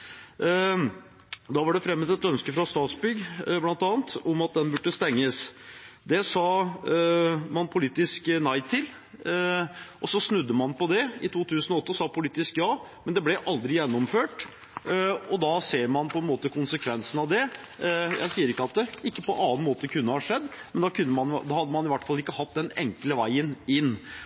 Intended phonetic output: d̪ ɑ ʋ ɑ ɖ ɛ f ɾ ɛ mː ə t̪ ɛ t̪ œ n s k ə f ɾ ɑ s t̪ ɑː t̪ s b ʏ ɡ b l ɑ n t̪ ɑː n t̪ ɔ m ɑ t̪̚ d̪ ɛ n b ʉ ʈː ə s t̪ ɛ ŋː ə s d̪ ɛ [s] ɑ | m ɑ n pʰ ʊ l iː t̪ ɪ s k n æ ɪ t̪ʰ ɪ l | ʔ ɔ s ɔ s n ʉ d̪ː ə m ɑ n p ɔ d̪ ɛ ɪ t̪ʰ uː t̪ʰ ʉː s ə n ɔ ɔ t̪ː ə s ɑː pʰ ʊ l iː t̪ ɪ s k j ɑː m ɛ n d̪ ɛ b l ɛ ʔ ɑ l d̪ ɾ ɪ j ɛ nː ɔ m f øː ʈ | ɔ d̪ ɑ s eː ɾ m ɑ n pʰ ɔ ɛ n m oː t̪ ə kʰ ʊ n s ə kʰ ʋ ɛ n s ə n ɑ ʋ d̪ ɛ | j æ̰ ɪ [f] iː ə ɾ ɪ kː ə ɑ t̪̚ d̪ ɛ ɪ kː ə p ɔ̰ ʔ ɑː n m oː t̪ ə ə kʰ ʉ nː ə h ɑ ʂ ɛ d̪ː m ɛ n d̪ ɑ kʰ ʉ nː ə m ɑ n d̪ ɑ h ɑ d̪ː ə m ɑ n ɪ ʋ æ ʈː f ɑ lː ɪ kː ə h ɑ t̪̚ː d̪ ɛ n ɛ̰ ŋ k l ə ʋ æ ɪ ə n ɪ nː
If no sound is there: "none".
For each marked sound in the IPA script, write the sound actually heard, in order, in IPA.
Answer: s, s

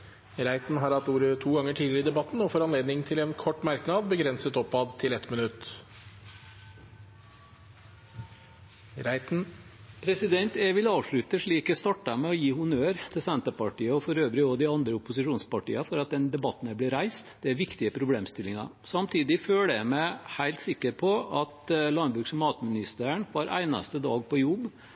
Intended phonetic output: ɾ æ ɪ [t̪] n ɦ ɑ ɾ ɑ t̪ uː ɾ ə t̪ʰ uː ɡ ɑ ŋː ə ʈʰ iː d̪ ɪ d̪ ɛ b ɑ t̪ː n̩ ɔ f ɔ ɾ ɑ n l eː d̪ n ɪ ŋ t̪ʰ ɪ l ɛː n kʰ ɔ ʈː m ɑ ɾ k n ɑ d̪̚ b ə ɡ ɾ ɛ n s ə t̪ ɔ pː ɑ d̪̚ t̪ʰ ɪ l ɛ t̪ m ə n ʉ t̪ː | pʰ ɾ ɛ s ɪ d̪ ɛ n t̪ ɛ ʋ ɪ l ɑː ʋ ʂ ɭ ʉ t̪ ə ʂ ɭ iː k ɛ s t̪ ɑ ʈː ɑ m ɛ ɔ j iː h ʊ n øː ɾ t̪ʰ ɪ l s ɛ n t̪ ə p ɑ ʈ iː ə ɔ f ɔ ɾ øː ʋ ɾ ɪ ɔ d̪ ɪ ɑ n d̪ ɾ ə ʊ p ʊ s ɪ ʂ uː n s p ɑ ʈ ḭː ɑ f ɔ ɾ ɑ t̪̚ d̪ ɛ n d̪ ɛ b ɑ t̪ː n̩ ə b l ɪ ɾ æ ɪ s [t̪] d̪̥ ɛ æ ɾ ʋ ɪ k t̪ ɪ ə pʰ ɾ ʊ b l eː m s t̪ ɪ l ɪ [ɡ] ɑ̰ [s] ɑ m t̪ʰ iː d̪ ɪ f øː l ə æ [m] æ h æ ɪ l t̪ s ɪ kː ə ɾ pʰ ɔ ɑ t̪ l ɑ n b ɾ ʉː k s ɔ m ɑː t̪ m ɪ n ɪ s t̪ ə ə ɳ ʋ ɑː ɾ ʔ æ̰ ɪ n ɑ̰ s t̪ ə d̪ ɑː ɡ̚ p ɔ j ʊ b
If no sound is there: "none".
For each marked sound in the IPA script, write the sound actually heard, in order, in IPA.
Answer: t̪, t̪, ŋ, s, m

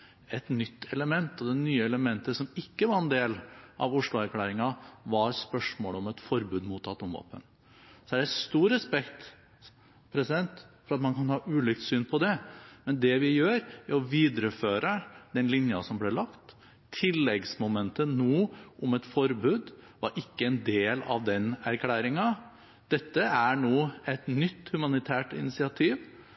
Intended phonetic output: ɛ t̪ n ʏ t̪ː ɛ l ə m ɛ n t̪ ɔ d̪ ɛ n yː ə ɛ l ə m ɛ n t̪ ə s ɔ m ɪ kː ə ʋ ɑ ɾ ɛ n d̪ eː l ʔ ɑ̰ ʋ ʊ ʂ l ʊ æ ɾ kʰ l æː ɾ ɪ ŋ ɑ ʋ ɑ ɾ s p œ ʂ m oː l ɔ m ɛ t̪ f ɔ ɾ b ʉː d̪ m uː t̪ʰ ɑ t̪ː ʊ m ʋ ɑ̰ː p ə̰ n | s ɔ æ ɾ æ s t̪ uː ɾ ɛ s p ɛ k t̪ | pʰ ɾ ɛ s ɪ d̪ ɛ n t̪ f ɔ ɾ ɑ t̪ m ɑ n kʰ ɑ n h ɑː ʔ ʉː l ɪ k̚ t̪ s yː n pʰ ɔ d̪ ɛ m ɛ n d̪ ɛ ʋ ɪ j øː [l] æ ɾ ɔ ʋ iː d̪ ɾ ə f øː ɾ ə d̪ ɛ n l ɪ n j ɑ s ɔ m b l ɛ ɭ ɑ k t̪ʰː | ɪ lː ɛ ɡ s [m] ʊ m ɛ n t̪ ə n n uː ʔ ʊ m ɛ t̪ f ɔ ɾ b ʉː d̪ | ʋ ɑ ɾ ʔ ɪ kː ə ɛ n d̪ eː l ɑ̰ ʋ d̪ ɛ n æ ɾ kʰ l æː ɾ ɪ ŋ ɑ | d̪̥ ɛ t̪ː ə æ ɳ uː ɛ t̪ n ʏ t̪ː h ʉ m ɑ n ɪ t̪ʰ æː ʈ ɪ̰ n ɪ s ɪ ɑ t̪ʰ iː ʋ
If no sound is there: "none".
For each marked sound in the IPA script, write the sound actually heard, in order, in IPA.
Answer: ɾ, m

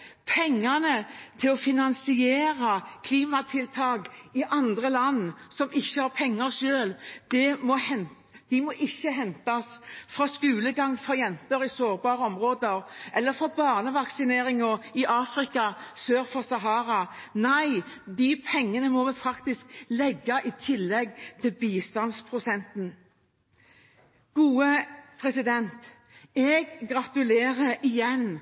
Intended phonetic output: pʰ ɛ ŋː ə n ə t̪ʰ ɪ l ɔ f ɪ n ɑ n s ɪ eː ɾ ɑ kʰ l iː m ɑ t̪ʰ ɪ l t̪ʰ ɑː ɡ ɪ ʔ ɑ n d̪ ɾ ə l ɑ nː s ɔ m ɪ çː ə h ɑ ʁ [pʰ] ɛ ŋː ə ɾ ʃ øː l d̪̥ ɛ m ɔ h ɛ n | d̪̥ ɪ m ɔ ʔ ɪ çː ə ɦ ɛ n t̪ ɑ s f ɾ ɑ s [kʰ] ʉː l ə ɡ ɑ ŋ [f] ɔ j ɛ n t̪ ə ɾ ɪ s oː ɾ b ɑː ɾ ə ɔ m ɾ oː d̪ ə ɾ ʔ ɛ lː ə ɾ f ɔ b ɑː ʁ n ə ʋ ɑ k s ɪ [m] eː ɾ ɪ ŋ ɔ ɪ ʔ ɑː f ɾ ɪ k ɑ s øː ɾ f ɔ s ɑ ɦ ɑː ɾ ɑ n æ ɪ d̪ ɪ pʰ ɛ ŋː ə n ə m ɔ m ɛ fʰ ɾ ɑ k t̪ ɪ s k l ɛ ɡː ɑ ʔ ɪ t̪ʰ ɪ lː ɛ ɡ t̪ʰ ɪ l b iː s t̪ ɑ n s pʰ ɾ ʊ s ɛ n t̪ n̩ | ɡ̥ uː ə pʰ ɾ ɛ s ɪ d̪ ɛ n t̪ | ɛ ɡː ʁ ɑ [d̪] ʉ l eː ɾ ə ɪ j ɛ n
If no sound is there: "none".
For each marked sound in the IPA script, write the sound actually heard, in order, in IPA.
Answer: pʰ, k, f, n, t̪

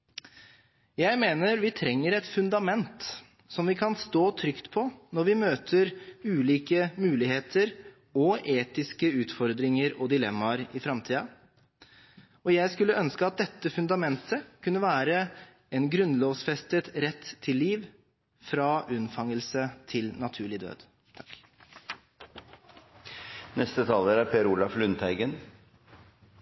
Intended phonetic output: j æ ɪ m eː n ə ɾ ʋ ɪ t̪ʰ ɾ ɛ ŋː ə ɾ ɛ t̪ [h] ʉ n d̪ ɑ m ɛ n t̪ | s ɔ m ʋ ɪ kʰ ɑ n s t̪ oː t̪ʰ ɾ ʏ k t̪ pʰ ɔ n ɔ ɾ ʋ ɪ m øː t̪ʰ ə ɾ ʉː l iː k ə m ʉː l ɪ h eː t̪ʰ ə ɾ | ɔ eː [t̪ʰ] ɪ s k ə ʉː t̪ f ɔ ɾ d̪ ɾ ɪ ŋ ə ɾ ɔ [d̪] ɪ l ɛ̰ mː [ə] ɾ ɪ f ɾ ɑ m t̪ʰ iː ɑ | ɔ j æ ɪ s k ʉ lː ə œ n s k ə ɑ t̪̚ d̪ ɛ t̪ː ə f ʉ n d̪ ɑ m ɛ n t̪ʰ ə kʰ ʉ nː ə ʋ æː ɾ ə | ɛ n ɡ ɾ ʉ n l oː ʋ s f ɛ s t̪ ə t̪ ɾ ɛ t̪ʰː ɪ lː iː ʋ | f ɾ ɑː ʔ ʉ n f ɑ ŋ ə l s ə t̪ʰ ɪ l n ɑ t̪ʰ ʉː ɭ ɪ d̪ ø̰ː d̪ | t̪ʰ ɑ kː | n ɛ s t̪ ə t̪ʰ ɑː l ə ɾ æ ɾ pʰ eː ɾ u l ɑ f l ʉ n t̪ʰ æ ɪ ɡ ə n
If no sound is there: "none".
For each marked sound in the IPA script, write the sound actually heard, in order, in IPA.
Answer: f, t̪, d̪, ɑ

